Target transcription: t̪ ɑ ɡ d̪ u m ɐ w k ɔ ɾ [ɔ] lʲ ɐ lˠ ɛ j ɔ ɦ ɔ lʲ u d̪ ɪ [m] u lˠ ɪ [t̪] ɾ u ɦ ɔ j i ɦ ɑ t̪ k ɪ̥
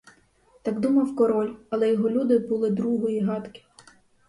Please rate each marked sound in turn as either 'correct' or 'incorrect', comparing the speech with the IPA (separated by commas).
correct, incorrect, incorrect